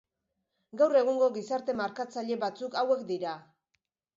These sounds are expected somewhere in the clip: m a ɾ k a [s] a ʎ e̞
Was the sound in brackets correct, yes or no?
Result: no